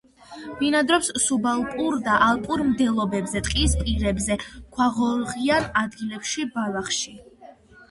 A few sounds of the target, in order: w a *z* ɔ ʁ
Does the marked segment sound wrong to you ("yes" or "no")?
yes